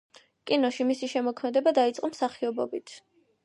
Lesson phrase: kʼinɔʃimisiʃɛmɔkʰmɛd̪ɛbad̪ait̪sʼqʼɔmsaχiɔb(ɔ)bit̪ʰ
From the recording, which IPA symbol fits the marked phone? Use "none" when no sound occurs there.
ɔ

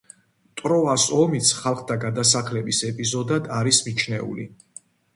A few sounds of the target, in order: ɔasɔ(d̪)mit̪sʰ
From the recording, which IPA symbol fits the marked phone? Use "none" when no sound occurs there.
none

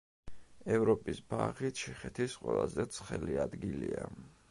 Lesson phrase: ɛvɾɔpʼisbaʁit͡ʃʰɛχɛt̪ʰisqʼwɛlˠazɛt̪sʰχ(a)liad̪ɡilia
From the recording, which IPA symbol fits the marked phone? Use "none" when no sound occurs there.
ɛ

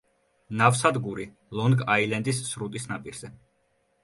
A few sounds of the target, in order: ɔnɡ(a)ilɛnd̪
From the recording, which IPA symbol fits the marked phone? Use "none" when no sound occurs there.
a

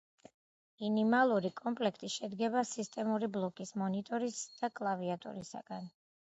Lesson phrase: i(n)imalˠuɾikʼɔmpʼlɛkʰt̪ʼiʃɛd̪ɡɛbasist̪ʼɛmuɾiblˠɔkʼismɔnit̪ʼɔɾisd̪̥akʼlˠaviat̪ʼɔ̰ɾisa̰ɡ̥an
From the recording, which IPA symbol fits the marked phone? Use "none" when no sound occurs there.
n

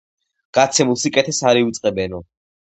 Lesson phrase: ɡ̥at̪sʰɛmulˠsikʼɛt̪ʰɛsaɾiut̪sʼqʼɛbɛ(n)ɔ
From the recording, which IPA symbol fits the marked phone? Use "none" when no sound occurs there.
n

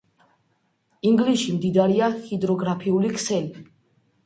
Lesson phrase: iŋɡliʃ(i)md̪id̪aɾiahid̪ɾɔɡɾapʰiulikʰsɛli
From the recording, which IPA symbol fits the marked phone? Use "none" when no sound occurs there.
i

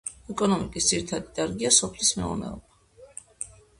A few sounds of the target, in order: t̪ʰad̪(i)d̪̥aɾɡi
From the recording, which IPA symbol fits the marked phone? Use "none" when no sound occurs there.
i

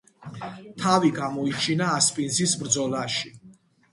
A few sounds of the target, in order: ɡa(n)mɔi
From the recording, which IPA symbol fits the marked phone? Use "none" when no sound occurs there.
none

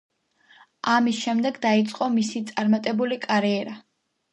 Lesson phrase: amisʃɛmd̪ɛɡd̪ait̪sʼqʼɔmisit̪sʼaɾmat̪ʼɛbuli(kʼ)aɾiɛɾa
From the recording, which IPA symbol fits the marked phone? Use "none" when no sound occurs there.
kʼ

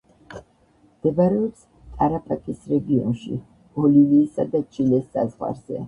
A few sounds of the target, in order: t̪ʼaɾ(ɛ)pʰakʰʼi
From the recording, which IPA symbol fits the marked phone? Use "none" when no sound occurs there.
a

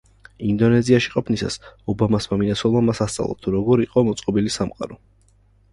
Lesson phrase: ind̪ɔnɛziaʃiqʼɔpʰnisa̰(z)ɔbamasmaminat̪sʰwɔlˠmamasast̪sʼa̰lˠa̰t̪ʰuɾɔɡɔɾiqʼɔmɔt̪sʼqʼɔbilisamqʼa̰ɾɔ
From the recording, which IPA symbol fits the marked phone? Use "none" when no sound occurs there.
s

